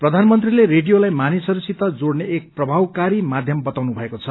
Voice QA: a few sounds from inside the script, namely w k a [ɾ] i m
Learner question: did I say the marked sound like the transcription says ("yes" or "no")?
yes